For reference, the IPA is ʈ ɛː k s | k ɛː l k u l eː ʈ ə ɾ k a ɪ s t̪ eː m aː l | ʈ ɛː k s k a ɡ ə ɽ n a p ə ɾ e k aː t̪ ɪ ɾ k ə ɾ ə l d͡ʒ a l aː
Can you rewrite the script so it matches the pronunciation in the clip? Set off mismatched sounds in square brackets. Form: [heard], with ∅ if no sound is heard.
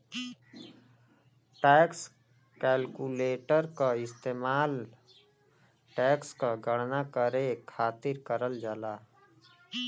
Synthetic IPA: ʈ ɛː k s | k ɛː l k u l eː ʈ ə ɾ k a ɪ s t̪ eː m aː l | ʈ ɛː k s k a ɡ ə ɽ n a [k] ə ɾ e [kʰ] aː t̪ ɪ ɾ k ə ɾ ə l d͡ʒ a l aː